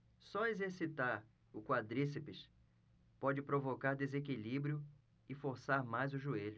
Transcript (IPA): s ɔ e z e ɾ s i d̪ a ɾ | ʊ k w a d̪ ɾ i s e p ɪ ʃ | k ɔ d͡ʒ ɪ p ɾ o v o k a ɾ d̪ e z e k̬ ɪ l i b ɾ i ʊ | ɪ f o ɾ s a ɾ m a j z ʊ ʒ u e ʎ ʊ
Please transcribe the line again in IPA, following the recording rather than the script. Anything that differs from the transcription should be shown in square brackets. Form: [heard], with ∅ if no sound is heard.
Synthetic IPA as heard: s ɔ e z e ɾ s i [t̪] a ɾ | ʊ k w a d̪ ɾ i s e p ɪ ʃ | [p] ɔ d͡ʒ ɪ p ɾ o v o k a ɾ d̪ e z e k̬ [i] l i b ɾ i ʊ | ɪ f o ɾ s a ɾ m a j z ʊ ʒ u e ʎ ʊ